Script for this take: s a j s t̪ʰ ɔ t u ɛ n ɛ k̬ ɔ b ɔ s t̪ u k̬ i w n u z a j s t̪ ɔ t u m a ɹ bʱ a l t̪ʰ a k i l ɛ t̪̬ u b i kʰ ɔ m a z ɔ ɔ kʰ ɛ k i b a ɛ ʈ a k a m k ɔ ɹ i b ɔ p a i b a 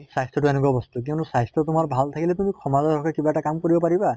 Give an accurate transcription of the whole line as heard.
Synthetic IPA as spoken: s a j s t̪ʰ ɔ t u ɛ n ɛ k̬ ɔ b ɔ s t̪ u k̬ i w n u s a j s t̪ ɔ t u m a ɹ bʱ a l t̪ʰ a k i l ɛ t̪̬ u m i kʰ ɔ m a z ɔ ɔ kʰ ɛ k i b a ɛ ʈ a k a m k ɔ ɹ i b ɔ p a i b a